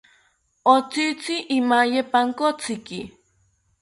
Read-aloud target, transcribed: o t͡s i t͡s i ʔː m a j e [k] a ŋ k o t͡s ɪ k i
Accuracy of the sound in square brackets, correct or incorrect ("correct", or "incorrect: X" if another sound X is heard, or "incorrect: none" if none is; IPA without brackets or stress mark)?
incorrect: p